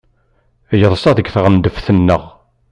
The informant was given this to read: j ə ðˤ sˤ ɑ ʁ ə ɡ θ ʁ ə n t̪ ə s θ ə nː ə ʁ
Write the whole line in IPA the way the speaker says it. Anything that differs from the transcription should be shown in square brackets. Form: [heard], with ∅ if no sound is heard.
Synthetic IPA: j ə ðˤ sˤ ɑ [ð] ə ɡ θ ʁ ə n [d̪] ə [f] θ ə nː ə ʁ